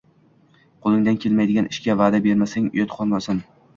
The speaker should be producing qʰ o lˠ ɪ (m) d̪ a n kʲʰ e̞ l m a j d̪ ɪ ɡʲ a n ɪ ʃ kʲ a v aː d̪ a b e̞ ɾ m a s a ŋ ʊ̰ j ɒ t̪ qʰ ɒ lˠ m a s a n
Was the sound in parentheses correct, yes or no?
no